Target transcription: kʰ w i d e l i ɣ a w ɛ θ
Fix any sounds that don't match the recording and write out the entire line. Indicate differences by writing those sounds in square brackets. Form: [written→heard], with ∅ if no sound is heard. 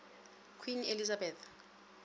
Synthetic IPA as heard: kʰ w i [d→n] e l i [ɣ→z] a [w→b] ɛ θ